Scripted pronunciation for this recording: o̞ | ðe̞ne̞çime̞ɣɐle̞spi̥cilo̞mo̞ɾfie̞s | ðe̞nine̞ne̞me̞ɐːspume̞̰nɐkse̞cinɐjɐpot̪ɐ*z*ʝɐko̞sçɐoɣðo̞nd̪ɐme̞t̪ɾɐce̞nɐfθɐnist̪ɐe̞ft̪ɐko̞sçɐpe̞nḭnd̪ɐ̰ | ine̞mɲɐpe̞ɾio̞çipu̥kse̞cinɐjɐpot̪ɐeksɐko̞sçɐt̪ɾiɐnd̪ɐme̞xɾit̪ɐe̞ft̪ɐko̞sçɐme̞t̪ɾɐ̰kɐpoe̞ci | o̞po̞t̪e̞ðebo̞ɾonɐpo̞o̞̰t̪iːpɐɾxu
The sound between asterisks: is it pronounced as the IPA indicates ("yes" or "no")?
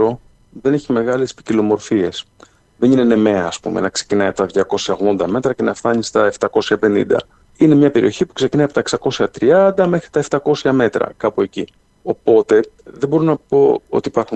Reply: no